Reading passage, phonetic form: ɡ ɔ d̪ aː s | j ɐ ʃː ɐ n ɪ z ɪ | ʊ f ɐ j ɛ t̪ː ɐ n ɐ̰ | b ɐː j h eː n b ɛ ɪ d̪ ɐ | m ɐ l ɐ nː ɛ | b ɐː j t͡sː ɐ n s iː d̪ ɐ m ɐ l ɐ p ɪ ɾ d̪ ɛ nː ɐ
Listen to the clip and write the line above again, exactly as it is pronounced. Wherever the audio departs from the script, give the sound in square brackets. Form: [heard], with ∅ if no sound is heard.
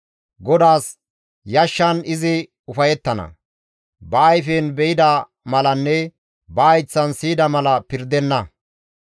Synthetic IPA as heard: ɡ ɔ d̪ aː s | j ɐ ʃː ɐ n ɪ z ɪ | ʊ f ɐ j ɛ t̪ː ɐ n ɐ̰ | b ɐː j [f] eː n b ɛ ɪ d̪ ɐ | m ɐ l ɐ nː ɛ | b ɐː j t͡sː ɐ n s iː d̪ ɐ m ɐ l ɐ p ɪ ɾ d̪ ɛ nː ɐ